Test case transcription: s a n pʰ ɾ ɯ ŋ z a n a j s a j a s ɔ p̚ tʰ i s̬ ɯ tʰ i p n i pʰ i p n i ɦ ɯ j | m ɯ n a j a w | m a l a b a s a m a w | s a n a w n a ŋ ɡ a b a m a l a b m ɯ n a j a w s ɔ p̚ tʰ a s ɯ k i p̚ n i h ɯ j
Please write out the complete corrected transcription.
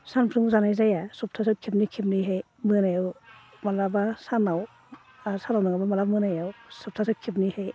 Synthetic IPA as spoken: s a n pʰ ɾ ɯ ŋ z a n a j z a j a s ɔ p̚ tʰ a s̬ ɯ kʰ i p n i kʰ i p n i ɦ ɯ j | m ɯ n a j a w | m a l a b a s a n a w | s a n a w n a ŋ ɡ a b a m a l a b m ɯ n a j a w s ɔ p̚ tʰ a s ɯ kʰ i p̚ n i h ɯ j